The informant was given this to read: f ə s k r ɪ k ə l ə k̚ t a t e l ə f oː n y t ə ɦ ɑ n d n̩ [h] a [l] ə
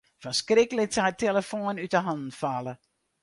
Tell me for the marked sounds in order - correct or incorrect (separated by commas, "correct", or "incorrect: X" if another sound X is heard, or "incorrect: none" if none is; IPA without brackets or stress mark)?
incorrect: f, correct